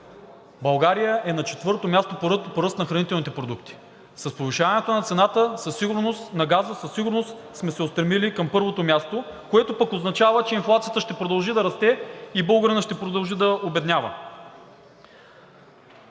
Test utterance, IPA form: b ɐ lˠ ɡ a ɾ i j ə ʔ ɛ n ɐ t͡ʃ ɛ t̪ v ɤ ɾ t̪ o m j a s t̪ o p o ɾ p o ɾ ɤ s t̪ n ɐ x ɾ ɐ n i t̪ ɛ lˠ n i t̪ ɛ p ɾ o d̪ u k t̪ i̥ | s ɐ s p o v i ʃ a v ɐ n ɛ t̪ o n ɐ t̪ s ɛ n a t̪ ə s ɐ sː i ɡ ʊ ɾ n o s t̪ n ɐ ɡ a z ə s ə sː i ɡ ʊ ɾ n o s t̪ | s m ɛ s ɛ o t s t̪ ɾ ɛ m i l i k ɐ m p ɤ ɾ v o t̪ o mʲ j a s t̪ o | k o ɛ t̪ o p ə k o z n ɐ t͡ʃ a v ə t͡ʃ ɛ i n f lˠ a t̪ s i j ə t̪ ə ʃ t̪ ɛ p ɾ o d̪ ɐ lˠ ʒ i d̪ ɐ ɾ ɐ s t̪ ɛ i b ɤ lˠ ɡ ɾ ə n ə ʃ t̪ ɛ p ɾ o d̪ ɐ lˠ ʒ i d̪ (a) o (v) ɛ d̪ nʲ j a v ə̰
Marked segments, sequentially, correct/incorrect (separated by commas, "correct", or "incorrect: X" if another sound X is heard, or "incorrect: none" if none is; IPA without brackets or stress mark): incorrect: ɐ, incorrect: b